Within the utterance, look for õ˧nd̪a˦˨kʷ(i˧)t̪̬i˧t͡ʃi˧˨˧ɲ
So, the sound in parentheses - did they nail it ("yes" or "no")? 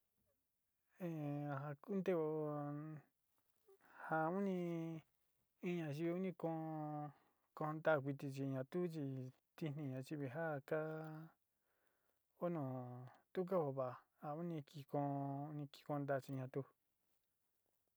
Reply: yes